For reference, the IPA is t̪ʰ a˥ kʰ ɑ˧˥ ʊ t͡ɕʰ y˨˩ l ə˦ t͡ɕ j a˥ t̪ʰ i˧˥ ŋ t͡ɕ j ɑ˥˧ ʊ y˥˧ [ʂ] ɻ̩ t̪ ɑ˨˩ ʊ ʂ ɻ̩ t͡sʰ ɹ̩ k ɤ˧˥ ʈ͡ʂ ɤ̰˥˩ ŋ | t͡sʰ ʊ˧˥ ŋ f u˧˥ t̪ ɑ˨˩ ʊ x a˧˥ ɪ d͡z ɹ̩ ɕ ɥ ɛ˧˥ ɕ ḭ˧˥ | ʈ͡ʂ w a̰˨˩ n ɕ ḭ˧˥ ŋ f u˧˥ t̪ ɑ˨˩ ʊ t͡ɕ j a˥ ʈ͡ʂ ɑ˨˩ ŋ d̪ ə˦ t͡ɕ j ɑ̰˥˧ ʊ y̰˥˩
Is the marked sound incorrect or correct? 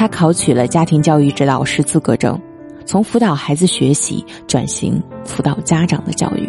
incorrect